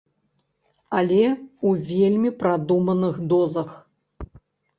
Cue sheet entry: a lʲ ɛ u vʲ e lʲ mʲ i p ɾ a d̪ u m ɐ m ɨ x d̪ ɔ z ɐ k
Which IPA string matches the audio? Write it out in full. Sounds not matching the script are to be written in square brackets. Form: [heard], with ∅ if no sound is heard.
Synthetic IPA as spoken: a lʲ ɛ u vʲ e lʲ mʲ i p ɾ a d̪ u m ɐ [n] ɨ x d̪ ɔ z ɐ [x]